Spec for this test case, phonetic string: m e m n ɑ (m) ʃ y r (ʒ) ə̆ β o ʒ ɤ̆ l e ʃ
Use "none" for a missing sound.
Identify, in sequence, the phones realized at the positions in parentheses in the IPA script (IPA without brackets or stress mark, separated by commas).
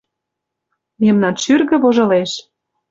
n, ɣ